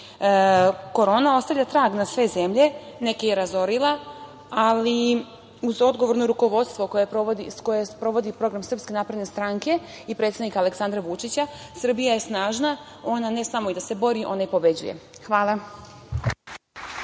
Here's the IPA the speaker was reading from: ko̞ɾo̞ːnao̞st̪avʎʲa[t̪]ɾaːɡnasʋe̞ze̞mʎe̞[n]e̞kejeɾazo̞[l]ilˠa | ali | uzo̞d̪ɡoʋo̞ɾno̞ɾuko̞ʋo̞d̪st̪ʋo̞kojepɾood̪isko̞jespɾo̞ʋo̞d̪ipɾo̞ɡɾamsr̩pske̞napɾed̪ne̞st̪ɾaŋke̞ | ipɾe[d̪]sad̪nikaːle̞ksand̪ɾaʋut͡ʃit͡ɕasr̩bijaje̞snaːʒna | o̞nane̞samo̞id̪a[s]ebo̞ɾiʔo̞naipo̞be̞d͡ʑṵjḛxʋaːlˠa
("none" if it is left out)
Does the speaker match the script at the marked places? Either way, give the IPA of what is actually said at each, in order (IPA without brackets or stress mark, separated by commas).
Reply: t̪, n, ɾ, t̪, s